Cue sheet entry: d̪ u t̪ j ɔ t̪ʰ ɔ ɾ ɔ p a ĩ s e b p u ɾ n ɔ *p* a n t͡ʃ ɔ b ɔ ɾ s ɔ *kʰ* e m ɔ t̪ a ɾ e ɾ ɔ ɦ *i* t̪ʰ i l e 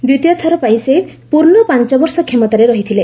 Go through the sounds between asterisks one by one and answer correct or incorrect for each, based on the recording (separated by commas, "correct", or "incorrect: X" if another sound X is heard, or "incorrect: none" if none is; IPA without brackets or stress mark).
correct, correct, correct